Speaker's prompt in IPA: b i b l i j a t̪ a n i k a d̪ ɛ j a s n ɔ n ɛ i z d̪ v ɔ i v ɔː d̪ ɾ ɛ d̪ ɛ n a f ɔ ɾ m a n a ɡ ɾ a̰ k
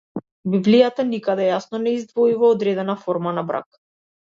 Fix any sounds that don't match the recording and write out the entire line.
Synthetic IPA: b i b l i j a t̪ a n i k a d̪ ɛ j a s n ɔ n ɛ i z d̪ v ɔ i v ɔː d̪ ɾ ɛ d̪ ɛ n a f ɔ ɾ m a n a b ɾ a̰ k